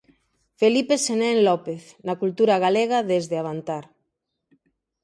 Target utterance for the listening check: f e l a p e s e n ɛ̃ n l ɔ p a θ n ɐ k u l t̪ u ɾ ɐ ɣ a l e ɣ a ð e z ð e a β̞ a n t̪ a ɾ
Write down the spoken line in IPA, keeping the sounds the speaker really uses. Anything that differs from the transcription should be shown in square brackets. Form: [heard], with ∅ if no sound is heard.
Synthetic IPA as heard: f e l [i] p e s e n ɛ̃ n l ɔ p [e] θ n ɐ k u l t̪ u ɾ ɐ ɣ a l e ɣ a ð e z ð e a β̞ a n t̪ a ɾ